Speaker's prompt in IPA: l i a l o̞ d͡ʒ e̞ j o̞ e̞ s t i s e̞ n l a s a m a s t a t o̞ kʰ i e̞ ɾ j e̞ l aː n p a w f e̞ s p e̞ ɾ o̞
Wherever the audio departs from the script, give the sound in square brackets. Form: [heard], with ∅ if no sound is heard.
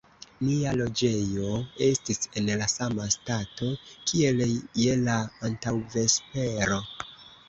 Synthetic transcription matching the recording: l i a l o̞ d͡ʒ e̞ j o̞ e̞ s t i s e̞ n l a s a m a s t a t o̞ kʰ i e̞ [l] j e̞ l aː n [t] a w [v] e̞ s p e̞ ɾ o̞